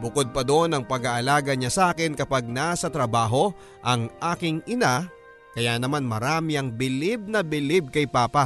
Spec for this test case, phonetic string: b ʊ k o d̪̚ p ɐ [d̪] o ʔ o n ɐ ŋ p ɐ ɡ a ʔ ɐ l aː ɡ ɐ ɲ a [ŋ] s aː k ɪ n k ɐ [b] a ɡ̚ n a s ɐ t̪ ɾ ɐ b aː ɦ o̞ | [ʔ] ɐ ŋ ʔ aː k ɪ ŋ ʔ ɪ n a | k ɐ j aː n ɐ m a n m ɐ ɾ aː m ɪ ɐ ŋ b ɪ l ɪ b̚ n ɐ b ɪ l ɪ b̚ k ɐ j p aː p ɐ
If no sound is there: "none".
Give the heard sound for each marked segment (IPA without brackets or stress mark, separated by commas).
d̪, none, p, ʔ